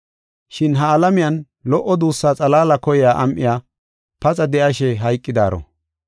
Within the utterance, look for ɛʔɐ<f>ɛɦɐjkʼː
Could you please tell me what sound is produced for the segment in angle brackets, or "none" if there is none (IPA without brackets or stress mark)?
ʃ